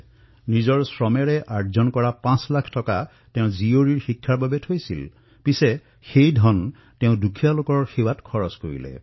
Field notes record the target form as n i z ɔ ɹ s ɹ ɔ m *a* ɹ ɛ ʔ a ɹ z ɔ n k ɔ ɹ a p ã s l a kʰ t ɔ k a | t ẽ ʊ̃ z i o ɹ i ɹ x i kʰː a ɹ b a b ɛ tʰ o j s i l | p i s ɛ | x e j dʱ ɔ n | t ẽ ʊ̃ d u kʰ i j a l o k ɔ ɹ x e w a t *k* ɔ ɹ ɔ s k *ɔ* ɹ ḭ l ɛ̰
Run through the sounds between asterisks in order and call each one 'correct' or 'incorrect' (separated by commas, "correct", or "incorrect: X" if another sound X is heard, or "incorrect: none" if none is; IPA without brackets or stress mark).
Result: incorrect: ɛ, incorrect: kʰ, incorrect: o